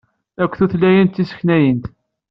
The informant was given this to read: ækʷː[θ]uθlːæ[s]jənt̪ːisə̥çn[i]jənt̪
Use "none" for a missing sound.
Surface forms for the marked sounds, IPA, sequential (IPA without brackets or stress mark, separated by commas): θ, none, æ